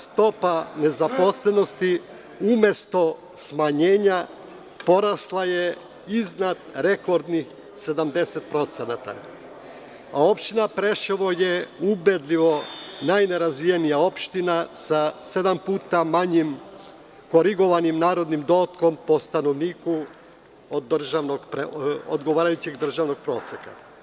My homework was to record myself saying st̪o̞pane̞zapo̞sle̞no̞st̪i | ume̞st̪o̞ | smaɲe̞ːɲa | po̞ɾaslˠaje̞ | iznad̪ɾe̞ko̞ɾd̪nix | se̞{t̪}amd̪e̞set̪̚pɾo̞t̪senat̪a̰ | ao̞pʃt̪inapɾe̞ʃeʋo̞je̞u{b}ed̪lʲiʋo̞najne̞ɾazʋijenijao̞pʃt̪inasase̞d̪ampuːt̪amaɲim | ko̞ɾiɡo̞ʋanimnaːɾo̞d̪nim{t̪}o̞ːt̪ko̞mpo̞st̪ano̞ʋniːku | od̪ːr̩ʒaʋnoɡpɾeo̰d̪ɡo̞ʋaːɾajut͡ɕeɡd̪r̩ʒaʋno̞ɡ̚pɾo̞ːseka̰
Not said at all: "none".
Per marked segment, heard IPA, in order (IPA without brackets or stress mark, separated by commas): d̪, b, d̪